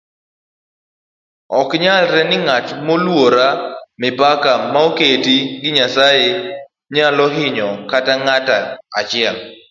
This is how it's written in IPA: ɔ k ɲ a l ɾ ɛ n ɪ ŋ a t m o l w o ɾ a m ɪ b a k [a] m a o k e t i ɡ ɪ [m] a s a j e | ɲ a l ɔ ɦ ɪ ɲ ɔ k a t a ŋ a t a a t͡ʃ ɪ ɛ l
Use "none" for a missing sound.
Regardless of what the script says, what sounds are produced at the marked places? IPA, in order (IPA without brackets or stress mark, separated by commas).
a, ɲ